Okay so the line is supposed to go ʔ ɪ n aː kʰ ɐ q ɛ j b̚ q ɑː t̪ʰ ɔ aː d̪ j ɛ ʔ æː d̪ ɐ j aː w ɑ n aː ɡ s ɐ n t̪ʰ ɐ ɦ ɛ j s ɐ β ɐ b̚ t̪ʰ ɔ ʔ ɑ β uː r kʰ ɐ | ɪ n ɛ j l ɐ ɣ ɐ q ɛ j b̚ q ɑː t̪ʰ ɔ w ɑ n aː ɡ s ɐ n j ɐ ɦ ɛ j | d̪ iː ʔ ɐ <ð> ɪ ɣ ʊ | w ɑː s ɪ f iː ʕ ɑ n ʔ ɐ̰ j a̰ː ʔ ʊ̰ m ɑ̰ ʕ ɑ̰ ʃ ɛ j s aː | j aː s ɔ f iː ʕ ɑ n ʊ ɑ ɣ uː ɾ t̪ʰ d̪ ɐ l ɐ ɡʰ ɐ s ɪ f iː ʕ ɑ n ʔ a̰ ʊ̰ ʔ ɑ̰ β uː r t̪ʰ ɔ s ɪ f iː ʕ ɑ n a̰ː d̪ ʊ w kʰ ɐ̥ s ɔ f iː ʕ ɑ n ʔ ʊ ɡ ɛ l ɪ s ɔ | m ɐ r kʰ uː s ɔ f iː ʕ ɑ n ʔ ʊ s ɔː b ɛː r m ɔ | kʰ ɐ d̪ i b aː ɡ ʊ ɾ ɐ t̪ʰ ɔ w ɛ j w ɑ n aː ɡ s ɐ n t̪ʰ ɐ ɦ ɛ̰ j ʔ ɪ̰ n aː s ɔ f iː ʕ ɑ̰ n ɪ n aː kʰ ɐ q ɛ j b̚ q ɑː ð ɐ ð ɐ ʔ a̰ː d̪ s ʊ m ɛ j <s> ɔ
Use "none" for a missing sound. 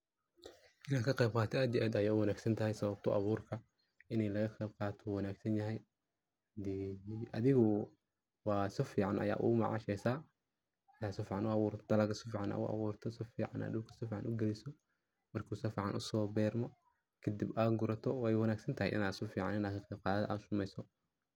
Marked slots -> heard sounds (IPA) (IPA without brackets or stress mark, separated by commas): ð, s